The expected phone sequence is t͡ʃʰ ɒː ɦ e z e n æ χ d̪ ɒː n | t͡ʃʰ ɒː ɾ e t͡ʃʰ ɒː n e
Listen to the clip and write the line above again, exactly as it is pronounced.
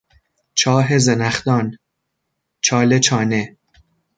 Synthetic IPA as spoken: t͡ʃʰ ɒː ɦ e z e n æ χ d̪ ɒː n | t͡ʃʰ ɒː l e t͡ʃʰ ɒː n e